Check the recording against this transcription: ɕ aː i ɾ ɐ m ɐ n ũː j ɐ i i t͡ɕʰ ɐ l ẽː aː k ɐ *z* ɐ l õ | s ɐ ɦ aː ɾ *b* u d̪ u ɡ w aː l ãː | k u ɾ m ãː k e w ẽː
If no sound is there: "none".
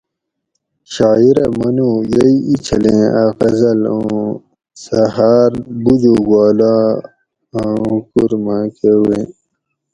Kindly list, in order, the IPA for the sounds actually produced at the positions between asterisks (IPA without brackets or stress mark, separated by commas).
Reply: z, b